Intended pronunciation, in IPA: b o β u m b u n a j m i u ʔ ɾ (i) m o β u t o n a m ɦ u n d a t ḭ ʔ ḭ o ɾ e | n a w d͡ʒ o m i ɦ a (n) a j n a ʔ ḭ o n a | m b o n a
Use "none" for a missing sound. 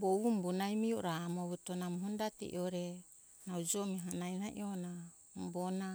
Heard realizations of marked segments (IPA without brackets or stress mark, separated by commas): a, n